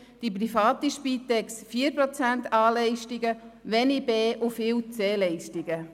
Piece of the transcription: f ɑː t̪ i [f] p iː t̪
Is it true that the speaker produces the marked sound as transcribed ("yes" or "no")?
no